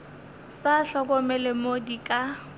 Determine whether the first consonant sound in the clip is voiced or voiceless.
voiceless